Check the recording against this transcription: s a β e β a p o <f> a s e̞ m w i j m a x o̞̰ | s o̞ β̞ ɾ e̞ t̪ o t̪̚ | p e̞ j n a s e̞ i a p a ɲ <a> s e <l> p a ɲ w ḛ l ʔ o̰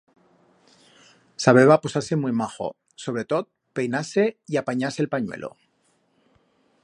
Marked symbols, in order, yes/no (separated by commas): no, yes, yes